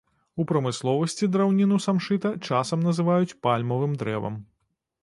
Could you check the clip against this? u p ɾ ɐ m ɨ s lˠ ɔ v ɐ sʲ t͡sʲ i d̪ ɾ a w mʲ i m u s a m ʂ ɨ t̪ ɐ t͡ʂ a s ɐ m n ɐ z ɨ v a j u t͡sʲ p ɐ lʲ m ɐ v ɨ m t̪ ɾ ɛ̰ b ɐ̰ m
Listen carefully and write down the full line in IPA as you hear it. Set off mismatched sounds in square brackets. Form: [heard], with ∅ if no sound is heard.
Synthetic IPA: u p ɾ ɐ m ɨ s lˠ ɔ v ɐ sʲ t͡sʲ i d̪ ɾ a w [nʲ] i [n] u s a m ʂ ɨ t̪ ɐ t͡ʂ a s ɐ m n ɐ z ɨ v a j u t͡sʲ p [a] lʲ m ɐ v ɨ m [d̪] ɾ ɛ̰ [v] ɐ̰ m